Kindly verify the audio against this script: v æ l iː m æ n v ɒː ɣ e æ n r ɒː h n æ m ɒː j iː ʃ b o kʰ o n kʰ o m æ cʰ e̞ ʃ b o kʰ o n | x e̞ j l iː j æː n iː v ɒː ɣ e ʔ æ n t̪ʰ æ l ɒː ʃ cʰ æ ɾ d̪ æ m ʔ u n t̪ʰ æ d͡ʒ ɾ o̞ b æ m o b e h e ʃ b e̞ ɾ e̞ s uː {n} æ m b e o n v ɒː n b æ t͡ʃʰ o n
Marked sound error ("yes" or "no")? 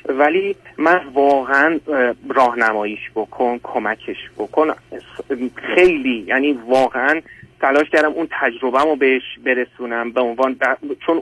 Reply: no